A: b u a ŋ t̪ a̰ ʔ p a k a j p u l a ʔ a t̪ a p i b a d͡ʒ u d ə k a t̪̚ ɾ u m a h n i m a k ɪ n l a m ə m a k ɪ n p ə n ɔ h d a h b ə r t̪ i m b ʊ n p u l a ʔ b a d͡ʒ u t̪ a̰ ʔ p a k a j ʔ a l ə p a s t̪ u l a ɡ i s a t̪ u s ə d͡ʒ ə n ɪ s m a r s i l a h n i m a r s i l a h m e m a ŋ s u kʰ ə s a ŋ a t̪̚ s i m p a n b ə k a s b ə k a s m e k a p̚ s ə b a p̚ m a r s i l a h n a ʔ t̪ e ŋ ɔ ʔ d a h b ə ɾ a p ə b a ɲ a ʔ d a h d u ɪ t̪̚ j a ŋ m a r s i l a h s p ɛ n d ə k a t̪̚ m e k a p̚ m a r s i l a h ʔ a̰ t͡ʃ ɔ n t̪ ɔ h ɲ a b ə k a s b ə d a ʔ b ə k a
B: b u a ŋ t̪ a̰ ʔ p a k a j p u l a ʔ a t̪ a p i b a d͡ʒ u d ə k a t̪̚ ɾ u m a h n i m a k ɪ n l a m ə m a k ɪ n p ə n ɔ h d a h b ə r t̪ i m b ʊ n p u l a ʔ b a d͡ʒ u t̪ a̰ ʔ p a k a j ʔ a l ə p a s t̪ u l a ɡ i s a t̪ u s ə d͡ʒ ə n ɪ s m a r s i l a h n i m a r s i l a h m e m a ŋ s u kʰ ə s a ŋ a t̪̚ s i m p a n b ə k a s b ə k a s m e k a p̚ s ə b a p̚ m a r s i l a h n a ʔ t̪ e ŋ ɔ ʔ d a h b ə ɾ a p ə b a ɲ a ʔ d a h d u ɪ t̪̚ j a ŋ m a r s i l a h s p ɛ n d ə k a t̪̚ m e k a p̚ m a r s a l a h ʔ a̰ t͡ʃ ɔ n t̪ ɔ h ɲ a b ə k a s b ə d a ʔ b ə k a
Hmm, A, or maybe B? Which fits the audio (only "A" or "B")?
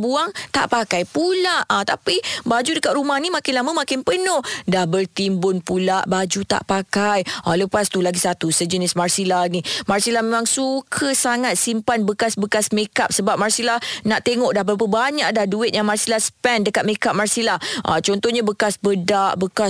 A